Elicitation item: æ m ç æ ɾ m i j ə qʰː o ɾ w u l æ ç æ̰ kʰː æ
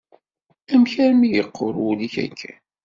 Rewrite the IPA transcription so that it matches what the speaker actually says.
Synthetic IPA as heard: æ m ç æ ɾ m i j ə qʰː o ɾ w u l i ç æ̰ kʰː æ